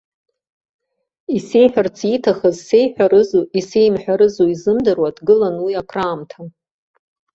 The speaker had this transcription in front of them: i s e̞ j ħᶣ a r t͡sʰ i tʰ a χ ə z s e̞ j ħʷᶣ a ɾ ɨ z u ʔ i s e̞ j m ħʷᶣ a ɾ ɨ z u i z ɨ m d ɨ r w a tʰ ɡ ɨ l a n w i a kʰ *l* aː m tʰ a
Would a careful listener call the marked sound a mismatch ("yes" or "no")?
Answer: yes